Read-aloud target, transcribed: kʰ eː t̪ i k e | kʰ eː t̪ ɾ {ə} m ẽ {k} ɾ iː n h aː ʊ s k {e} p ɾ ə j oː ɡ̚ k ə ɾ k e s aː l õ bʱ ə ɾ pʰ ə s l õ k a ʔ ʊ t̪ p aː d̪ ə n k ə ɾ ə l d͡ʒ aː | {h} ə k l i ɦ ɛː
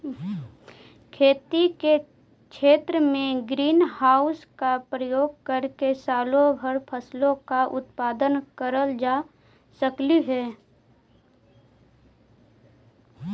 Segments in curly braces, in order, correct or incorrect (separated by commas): correct, incorrect, incorrect, incorrect